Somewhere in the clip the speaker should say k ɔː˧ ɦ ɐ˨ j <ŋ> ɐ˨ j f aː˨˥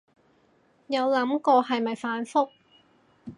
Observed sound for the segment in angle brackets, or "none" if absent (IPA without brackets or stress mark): m